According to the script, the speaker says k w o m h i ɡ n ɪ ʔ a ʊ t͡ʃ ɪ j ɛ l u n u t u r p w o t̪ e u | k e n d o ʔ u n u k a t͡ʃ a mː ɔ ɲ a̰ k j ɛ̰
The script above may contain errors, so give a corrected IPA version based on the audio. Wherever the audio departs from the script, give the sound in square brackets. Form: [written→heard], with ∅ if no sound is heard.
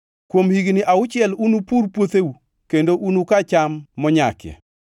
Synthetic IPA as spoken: k w o m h i ɡ n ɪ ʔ a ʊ t͡ʃ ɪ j ɛ l u n u [t→p] u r p w o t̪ e u | k e n d o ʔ u n u k a t͡ʃ a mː ɔ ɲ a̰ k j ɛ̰